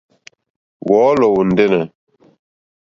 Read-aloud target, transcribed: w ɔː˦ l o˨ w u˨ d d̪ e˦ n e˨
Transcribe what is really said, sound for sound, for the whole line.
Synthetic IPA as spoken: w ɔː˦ l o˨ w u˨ n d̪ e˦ n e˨